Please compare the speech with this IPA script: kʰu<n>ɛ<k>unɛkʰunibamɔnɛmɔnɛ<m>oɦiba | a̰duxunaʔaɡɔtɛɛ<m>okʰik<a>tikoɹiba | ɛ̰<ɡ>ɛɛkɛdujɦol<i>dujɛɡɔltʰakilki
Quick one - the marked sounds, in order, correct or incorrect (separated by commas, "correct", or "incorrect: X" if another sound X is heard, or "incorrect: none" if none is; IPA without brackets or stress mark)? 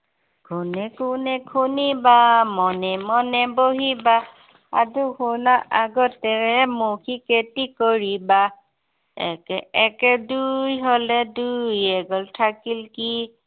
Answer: correct, correct, incorrect: b, correct, incorrect: e, incorrect: k, incorrect: ɛ